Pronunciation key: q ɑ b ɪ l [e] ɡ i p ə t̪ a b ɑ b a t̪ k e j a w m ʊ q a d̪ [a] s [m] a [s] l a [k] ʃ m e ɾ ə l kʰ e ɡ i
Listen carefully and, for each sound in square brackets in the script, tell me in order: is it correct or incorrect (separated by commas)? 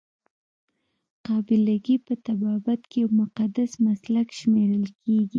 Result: incorrect, correct, correct, correct, correct